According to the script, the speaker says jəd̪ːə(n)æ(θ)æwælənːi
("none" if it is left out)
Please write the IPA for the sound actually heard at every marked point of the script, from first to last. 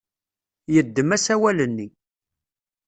m, s

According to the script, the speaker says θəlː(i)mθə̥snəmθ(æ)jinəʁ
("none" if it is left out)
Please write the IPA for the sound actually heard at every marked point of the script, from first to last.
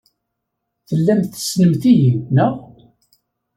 æ, i

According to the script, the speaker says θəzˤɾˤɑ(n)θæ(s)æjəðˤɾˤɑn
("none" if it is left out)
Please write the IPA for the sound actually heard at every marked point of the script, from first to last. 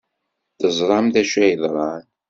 m, ʃ

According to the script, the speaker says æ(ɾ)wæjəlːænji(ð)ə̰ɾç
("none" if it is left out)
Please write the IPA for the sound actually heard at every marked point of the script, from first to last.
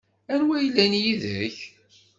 ɾ, ð

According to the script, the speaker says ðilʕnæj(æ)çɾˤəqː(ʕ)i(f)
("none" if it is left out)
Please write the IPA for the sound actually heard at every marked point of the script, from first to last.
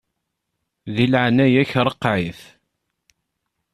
æ, ʕ, θ

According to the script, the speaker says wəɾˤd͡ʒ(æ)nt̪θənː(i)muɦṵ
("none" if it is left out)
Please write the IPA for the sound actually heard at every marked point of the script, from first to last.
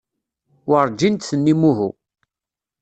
i, i

